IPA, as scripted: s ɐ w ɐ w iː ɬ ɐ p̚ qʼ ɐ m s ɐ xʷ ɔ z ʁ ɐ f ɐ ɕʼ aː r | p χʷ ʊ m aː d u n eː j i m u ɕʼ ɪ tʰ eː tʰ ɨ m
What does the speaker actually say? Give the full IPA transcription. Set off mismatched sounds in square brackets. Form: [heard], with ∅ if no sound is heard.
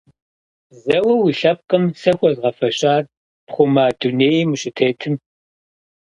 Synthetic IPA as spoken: [z] ɐ w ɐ w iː ɬ ɐ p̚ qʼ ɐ m s ɐ xʷ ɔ z ʁ ɐ f ɐ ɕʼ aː r | p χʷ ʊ m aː d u n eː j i m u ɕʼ ɪ tʰ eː tʰ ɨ m